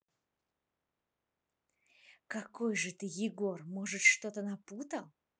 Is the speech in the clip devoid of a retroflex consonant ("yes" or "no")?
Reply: no